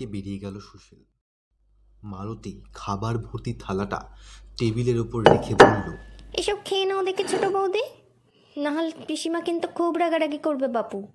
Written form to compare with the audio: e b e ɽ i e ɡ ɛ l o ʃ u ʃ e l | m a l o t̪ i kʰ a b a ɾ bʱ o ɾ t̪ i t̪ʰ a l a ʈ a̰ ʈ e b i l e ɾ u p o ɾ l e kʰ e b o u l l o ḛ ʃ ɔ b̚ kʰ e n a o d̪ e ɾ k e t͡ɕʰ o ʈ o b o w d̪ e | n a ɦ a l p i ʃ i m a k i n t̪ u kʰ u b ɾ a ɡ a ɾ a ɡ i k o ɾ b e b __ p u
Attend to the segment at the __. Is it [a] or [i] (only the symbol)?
a